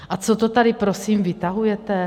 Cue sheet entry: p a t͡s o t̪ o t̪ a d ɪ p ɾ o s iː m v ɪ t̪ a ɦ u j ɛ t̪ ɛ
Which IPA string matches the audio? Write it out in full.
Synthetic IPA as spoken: ʔ a t͡s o t̪ o t̪ a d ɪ p ɾ o s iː m v ɪ t̪ a ɦ u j ɛ t̪ ɛ